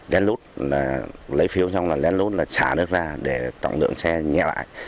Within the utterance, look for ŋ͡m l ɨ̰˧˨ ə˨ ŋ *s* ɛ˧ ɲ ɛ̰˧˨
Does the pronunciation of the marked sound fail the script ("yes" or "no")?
no